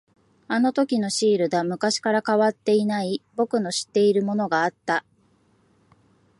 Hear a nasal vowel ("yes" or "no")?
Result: no